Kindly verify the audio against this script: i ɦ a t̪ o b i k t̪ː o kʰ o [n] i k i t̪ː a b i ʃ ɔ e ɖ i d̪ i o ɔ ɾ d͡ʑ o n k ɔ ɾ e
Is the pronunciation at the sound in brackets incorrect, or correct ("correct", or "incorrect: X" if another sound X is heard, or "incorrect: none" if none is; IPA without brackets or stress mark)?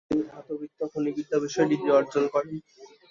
correct